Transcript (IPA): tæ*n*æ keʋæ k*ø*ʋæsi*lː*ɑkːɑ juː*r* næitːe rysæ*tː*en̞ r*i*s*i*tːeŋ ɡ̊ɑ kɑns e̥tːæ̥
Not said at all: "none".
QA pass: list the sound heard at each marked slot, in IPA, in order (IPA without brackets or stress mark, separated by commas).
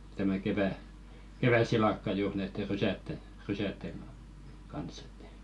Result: m, e, l, r, tː, y, æ